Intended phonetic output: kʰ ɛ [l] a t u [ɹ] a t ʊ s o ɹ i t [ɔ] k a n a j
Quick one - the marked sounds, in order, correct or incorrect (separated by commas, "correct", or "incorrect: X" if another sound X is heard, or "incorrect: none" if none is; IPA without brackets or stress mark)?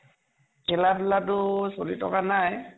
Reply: correct, incorrect: l, correct